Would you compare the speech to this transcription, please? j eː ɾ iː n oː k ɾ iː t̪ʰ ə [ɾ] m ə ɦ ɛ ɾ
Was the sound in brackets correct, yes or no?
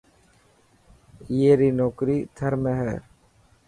yes